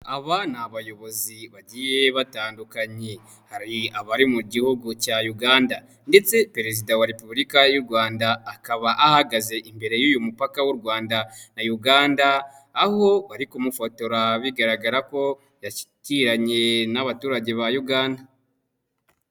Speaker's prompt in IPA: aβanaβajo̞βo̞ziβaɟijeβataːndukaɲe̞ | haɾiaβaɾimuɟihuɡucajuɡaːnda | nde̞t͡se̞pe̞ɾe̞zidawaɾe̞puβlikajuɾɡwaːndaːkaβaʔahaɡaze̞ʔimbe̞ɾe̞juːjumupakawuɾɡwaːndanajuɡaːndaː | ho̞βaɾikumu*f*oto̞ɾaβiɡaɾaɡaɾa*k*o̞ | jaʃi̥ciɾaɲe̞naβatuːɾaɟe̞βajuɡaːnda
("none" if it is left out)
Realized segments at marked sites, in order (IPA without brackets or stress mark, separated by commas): f, k